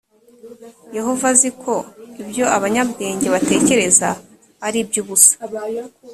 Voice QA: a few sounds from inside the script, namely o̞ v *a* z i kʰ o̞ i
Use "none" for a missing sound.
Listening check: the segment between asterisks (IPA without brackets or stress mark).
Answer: a